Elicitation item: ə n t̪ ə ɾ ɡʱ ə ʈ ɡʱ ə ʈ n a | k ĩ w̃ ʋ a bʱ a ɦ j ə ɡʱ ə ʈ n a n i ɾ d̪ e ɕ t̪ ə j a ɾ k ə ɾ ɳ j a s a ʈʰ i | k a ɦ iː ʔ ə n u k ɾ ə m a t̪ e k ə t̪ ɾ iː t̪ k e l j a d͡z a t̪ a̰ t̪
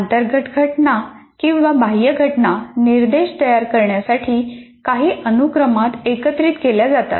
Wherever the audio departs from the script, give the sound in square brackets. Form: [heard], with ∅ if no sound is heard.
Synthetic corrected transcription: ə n t̪ ə ɾ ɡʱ ə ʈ ɡʱ ə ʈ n a | k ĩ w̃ ʋ a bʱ a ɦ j ə ɡʱ ə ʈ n a n i ɾ d̪ e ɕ t̪ ə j a ɾ k ə ɾ ɳ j a s a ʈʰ [iː] | k a ɦ iː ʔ ə n u k ɾ ə m a t̪ e k ə t̪ ɾ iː t̪ k e l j a d͡z a t̪ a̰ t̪